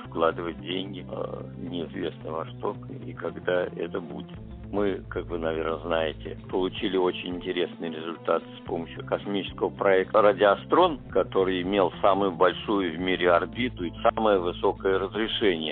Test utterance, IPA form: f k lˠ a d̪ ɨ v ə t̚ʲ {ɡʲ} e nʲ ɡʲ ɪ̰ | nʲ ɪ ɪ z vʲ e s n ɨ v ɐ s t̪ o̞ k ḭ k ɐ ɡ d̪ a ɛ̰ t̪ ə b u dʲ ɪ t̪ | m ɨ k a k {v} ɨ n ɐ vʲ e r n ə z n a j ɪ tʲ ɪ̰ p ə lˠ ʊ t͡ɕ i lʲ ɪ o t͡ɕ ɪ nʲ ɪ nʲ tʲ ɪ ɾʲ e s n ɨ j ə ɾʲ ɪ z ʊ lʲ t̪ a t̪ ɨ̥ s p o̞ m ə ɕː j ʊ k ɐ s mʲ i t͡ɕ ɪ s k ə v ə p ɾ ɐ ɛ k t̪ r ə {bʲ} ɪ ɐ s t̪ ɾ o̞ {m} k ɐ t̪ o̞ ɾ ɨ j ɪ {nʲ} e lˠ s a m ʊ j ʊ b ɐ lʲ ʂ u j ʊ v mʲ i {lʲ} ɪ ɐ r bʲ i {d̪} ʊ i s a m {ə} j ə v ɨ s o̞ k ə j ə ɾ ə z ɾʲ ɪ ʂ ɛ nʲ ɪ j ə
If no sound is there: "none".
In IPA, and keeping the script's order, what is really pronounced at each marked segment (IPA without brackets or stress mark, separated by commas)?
dʲ, v, dʲ, n, mʲ, ɾʲ, t̪, ə